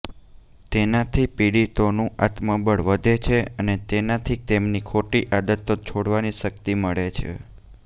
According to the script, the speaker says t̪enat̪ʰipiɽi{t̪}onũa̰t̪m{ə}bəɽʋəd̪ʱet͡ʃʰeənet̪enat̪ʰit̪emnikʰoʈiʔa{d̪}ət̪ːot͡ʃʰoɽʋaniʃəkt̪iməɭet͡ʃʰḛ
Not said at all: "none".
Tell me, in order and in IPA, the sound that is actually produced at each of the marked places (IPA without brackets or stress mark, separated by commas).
t̪, ə, d̪